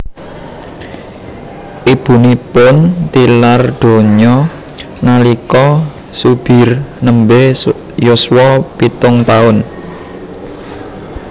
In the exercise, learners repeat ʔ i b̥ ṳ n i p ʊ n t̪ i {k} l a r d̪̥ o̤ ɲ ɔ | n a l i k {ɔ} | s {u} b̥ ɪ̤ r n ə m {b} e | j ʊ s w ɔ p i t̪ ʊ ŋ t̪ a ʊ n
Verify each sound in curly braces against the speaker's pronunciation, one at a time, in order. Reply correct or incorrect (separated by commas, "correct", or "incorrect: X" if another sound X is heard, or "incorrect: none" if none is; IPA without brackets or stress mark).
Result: incorrect: none, correct, correct, correct